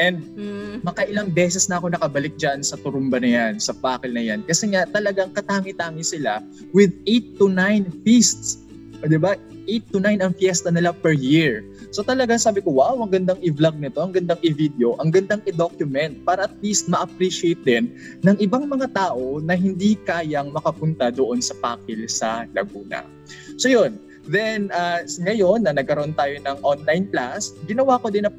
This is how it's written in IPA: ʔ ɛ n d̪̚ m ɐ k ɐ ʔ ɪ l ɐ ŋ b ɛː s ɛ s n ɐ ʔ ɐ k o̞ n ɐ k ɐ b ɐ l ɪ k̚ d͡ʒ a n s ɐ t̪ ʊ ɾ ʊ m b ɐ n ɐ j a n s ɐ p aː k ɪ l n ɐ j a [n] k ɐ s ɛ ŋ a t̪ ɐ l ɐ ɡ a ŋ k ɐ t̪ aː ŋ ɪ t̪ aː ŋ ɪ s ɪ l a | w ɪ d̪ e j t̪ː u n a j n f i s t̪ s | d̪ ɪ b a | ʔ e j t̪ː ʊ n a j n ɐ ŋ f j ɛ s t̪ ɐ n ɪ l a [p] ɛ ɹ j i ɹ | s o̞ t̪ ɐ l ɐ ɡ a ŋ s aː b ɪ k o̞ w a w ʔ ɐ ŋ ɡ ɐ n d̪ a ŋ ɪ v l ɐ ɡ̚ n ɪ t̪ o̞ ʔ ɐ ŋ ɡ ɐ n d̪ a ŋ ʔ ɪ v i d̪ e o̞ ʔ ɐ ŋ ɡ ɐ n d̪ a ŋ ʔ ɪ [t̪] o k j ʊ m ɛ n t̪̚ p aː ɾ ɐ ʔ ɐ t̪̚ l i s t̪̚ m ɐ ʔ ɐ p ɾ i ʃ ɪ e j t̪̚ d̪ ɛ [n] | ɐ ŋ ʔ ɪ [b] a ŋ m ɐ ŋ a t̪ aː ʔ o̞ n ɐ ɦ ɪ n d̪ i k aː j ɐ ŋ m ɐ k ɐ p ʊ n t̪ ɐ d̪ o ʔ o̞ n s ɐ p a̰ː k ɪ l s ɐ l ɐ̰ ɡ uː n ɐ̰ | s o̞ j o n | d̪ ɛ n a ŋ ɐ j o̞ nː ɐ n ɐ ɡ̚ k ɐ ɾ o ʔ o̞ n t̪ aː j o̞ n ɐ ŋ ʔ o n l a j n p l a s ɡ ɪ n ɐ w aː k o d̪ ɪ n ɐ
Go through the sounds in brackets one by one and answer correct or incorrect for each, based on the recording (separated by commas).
correct, correct, incorrect, incorrect, correct